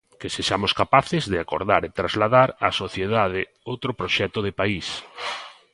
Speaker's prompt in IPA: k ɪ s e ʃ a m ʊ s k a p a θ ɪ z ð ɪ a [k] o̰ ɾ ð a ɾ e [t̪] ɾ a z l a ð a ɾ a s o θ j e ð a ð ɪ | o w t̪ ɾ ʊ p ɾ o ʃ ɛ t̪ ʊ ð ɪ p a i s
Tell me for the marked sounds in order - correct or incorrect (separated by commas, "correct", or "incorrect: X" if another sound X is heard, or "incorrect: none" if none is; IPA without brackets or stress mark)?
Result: correct, correct